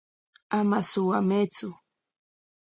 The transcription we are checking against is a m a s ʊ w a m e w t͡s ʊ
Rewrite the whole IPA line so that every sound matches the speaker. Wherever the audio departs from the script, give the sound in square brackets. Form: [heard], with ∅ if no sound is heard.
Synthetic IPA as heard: a m a s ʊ w a m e [∅] t͡s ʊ